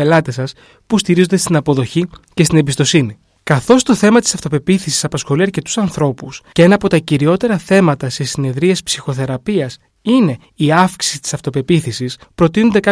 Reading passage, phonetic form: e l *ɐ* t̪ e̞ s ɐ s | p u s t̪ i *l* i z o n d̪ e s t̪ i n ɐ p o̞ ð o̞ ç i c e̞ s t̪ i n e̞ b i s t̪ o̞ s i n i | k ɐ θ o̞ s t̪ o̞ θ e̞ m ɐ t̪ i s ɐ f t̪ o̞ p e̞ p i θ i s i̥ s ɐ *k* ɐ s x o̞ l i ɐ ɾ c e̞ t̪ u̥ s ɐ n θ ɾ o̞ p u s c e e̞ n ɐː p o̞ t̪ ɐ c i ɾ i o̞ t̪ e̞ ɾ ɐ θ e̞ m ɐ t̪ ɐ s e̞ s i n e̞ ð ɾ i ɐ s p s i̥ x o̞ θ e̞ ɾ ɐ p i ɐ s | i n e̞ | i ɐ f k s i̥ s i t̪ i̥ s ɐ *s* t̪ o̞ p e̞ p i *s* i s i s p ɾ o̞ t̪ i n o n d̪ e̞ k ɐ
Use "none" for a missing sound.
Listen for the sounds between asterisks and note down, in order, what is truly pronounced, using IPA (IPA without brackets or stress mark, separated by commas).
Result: ɐ, ɾ, p, f, θ